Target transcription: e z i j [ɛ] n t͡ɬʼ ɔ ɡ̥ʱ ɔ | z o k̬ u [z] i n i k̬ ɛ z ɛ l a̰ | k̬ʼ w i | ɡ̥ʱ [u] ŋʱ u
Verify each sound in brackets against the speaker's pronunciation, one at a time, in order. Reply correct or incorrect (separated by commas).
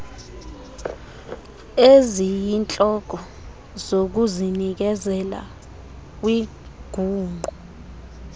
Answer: incorrect, correct, incorrect